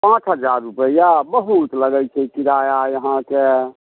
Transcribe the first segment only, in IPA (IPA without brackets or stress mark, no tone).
p